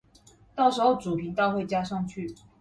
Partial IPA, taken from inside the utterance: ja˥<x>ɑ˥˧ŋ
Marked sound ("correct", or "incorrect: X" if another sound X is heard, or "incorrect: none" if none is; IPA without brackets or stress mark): incorrect: ʂ